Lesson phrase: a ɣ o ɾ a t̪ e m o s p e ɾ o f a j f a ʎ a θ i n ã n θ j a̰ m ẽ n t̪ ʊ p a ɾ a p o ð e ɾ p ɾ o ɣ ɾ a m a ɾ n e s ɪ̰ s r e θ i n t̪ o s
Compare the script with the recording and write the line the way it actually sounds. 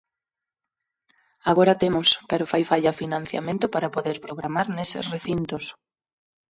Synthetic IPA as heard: a ɣ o ɾ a t̪ e m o s p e ɾ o f a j f a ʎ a f i n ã n θ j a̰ m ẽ n t̪ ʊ p a ɾ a p o ð e ɾ p ɾ o ɣ ɾ a m a ɾ n e s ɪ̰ s r e θ i n t̪ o s